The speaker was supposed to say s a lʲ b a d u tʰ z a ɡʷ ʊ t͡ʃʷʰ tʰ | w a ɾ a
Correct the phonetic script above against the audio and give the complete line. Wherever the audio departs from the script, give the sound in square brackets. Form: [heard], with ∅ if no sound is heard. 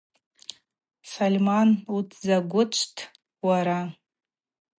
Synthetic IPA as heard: s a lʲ [m] a [n] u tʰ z a ɡʷ ʊ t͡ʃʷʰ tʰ | w a ɾ a